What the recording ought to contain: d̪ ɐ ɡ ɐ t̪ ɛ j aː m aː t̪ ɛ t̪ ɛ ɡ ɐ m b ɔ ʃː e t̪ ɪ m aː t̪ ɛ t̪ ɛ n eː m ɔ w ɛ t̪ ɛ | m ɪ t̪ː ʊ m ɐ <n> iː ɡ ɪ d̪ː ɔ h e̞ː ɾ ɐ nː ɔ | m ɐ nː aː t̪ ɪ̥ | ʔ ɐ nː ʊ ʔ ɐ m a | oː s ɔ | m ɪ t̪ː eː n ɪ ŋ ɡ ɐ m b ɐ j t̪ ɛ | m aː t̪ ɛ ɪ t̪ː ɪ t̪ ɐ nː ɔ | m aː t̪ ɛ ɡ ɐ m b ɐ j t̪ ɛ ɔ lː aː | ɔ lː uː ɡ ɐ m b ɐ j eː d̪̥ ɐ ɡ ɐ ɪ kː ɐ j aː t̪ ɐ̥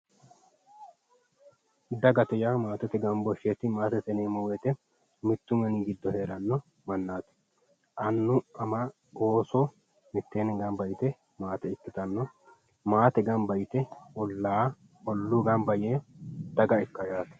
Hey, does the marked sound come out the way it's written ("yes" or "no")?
yes